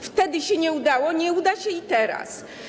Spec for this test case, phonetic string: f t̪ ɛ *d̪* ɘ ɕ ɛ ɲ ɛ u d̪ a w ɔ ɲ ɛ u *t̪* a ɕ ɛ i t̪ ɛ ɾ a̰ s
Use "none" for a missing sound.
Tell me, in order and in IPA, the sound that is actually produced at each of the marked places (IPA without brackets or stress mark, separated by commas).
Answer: d̪, d̪